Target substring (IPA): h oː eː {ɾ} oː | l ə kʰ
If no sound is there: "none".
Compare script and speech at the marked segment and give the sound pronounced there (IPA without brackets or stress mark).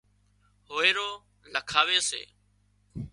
ɾ